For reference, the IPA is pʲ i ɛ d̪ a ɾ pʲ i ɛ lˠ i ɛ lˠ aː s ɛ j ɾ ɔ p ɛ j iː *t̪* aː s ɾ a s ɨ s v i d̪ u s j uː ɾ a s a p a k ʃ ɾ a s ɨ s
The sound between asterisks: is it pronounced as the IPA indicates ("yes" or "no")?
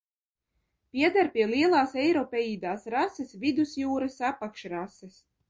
no